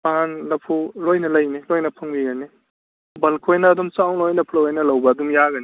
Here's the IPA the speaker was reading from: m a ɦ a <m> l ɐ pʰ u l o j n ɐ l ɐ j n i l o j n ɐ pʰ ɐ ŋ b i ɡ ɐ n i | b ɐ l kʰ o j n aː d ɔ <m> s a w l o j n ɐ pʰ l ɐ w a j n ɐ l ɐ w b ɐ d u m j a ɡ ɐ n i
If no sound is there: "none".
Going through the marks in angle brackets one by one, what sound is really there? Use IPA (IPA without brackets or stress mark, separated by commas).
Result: n, m